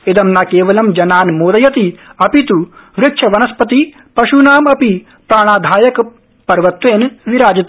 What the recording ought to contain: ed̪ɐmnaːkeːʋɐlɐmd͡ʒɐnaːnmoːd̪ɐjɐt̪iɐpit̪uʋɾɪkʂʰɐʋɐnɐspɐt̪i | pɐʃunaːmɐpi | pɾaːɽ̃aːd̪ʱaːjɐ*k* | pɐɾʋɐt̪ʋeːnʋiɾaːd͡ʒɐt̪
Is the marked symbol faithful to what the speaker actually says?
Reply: yes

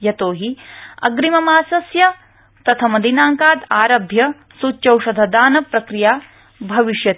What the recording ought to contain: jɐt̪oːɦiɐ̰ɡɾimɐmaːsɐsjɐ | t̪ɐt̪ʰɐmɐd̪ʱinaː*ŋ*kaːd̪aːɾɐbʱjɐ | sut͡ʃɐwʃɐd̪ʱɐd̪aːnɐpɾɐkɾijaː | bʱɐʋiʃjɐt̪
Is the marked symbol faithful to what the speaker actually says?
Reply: yes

